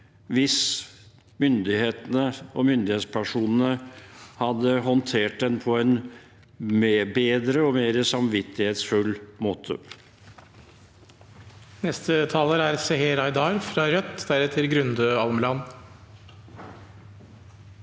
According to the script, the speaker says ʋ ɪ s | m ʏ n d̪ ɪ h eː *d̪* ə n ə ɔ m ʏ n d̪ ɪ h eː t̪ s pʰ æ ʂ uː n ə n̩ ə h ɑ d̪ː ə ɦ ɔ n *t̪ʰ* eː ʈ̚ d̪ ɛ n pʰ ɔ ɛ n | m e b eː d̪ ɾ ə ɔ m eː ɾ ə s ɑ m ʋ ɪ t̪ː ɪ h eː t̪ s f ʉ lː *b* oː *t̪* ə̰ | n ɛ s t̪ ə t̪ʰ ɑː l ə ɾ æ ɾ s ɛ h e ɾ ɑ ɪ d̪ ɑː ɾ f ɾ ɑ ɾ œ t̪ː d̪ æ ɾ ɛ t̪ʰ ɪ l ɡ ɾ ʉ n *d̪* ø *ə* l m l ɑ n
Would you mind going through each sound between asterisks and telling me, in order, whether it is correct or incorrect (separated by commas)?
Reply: incorrect, correct, incorrect, incorrect, correct, incorrect